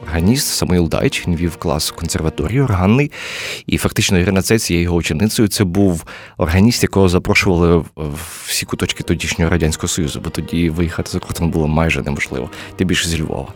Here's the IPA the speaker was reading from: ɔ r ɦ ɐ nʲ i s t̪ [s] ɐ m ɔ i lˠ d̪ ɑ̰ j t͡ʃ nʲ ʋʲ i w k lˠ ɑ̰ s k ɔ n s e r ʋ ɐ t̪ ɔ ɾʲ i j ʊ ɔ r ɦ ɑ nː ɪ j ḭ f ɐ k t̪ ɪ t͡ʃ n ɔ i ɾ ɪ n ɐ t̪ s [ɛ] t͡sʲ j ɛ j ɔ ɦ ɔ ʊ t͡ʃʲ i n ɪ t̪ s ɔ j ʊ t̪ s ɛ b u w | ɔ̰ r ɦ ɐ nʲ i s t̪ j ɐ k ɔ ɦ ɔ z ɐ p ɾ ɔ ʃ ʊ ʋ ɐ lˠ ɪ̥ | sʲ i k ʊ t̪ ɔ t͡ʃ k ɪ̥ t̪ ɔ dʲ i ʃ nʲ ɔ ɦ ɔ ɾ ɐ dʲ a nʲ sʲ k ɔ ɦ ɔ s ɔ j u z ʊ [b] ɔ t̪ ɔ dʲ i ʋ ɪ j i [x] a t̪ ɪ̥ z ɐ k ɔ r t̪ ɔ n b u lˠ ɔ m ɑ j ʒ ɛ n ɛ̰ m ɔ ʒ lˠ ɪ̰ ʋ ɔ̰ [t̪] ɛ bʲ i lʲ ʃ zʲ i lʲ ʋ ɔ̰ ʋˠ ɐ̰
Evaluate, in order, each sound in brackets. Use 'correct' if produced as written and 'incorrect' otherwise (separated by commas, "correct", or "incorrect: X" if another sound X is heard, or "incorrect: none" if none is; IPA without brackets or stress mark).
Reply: correct, correct, correct, correct, correct